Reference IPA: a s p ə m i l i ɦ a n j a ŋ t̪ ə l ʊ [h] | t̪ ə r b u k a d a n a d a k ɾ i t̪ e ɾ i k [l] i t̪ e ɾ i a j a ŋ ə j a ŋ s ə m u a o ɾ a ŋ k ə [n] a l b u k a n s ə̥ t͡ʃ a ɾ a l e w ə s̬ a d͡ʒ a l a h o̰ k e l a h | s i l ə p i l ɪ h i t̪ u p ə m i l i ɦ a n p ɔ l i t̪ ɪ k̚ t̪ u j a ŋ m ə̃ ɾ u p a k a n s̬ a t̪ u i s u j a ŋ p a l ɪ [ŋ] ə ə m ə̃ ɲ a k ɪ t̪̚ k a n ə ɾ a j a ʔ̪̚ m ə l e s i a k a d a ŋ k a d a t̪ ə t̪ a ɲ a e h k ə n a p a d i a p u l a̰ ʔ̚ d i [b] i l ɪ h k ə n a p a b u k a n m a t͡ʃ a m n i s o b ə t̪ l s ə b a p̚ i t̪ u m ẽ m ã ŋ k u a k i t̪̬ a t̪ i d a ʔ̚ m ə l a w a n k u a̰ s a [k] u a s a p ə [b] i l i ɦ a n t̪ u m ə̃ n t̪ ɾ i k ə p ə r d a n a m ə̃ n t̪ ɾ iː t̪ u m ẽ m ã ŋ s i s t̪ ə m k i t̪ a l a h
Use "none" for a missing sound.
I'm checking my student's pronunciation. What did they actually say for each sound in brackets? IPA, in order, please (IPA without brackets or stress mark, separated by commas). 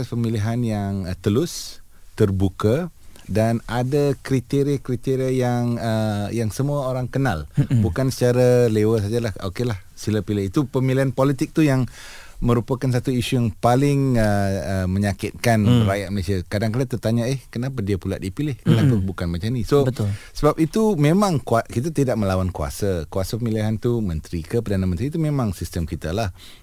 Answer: s, ɾ, n, ŋ, p, k, m